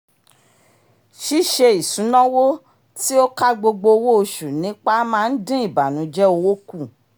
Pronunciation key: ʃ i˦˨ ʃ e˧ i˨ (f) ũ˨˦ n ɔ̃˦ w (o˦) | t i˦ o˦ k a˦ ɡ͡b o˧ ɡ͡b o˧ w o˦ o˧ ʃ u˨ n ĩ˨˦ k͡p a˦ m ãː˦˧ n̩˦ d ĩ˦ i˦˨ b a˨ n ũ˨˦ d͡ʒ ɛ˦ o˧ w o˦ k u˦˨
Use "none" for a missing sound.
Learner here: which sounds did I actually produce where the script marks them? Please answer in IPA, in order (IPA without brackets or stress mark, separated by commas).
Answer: s, o˦